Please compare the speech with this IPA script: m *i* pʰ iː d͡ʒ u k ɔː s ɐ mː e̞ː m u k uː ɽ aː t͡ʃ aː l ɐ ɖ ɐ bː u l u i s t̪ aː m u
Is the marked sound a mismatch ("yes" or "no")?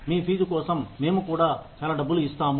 yes